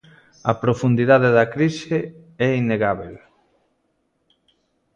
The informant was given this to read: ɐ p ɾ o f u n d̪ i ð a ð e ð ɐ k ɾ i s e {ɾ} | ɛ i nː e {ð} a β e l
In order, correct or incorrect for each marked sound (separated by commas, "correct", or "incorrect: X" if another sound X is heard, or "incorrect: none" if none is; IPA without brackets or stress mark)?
incorrect: none, incorrect: ɣ